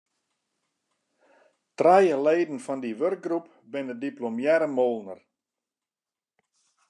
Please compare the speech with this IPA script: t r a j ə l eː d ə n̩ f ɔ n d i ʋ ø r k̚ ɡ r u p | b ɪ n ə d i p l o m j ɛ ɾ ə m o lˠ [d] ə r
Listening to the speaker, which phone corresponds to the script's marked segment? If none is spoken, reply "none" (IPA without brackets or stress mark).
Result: n